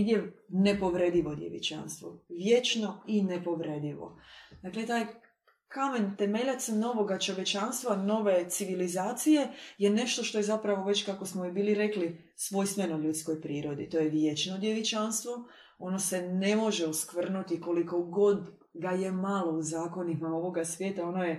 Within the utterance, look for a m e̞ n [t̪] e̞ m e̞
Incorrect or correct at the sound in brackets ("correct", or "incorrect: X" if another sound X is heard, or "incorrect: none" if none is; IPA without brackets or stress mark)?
correct